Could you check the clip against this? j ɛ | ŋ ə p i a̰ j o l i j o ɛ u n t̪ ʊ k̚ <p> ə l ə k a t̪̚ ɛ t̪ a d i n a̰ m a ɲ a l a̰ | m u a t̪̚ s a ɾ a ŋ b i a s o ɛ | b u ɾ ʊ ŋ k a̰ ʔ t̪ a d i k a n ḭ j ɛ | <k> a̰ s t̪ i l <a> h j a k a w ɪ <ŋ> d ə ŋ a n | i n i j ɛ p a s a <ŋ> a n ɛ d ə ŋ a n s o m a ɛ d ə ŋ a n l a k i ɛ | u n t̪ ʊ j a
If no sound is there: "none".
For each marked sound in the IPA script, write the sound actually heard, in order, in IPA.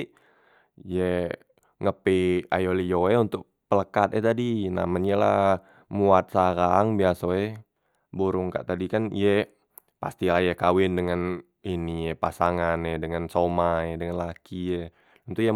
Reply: p, p, a, n, ŋ

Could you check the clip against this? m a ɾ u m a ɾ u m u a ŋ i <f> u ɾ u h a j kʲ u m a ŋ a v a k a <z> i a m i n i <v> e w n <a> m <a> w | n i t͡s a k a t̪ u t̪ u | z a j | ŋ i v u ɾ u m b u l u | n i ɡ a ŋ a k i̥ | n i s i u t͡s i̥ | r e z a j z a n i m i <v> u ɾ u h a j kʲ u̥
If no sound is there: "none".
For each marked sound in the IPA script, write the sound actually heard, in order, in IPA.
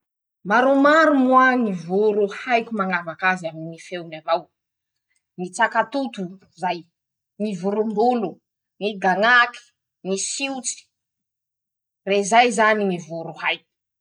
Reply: v, z, f, a, a, v

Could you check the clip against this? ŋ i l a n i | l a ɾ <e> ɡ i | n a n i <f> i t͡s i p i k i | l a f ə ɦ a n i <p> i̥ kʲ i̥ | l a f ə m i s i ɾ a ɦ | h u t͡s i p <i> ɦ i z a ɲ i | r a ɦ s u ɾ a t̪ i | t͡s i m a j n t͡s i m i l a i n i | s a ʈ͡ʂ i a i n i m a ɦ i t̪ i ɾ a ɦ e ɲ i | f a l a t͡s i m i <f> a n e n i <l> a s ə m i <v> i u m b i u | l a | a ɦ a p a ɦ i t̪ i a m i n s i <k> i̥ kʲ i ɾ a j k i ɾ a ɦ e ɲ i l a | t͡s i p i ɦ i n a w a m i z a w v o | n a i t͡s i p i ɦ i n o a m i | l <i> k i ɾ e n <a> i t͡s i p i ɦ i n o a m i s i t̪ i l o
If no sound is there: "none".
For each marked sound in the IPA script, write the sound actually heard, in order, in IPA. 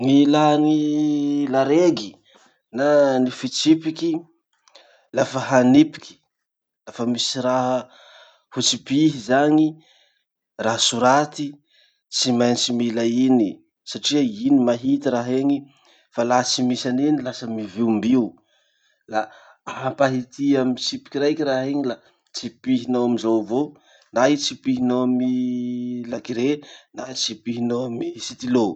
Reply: e, f, p, i, s, l, v, p, a, a

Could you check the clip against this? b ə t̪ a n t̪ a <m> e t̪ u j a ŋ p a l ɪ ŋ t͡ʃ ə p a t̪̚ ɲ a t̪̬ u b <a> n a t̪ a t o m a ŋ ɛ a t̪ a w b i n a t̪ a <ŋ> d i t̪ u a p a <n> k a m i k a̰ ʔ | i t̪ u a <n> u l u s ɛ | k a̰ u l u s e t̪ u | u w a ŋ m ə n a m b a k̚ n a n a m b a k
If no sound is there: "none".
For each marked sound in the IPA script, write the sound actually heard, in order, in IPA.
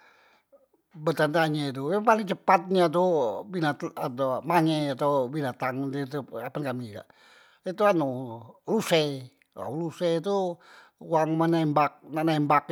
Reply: ɲ, i, ŋ, n, n

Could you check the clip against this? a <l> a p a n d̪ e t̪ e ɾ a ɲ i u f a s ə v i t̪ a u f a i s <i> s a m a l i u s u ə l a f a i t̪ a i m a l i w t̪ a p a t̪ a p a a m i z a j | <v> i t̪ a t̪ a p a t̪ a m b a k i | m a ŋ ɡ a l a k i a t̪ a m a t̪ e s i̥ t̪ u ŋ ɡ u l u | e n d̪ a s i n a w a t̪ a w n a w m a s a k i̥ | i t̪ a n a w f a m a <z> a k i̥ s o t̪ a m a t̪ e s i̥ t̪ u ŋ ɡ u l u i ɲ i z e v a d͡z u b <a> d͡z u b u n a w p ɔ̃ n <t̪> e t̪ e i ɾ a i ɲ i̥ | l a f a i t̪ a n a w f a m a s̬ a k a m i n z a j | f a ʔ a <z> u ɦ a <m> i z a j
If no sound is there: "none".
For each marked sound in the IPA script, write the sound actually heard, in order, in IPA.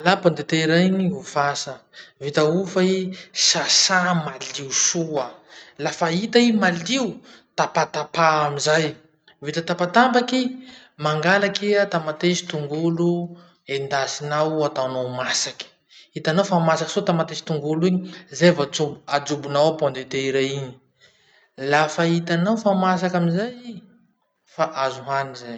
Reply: l, a, v, s, a, d̪, z, n

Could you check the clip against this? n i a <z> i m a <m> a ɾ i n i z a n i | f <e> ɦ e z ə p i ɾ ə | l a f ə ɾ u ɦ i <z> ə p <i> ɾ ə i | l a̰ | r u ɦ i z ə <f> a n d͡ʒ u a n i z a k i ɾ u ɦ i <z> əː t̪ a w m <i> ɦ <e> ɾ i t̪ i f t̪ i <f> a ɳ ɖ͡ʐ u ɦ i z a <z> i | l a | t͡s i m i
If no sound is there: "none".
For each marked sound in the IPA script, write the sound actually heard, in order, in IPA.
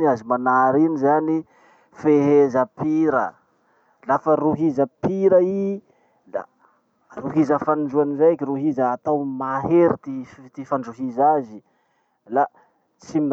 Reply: z, n, e, z, i, f, z, a, e, f, z

